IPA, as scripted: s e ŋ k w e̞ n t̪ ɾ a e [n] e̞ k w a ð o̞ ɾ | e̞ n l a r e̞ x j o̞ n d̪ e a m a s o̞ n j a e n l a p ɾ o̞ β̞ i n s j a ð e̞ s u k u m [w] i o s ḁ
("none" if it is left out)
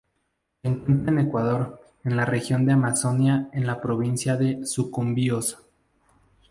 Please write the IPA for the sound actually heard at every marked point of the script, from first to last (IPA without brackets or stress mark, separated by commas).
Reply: n, b